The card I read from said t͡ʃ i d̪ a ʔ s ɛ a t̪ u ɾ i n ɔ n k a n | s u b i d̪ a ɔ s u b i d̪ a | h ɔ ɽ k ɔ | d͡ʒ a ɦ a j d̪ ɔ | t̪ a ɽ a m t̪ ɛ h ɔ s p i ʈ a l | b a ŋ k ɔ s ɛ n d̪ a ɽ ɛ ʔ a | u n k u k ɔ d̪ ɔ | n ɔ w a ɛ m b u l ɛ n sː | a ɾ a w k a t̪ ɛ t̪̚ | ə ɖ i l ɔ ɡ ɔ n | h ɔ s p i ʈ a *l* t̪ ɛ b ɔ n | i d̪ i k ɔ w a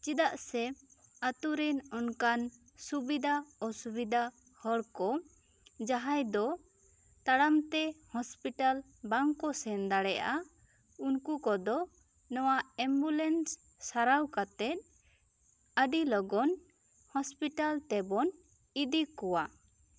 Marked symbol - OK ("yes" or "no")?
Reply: yes